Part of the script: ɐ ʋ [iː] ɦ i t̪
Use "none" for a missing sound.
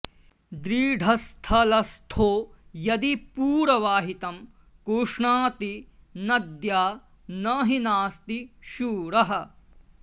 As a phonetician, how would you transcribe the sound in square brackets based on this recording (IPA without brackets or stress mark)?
aː